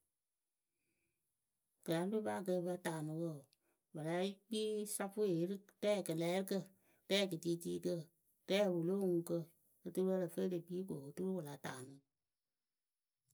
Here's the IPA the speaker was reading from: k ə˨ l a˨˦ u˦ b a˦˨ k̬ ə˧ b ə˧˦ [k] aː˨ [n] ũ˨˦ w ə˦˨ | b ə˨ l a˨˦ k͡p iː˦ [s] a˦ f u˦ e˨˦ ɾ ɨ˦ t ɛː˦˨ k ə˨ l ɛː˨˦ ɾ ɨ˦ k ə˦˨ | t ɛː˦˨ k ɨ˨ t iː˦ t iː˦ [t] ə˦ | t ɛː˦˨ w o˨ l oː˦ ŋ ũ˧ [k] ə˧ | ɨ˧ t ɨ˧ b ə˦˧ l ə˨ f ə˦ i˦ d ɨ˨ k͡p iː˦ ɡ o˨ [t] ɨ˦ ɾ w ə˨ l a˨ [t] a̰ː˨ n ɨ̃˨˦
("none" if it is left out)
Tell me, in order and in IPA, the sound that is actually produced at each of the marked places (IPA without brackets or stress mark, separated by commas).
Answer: t, n, s, k, k, t, t